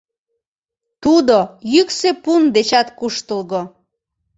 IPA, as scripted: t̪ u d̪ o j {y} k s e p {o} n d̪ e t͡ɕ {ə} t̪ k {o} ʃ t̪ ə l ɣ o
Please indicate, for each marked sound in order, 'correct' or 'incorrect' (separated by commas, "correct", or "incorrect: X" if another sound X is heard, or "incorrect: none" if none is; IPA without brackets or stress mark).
correct, incorrect: u, incorrect: ɑ, incorrect: u